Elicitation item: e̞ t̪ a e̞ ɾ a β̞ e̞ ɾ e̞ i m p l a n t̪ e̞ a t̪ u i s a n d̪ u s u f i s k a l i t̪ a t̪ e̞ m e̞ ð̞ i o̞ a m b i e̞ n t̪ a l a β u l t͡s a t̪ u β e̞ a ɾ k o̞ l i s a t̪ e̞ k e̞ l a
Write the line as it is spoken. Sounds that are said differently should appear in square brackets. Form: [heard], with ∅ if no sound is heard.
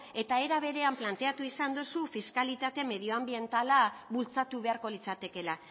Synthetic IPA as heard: e̞ t̪ a e̞ ɾ a β̞ e̞ ɾ e̞ [a] m p l a n t̪ e̞ a t̪ u i s a n d̪ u s u f i s k a l i t̪ a t̪ e̞ m e̞ ð̞ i o̞ a m b i e̞ n t̪ a l a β u l t͡s a t̪ u β e̞ a ɾ k o̞ l i [t͡s] a t̪ e̞ k e̞ l a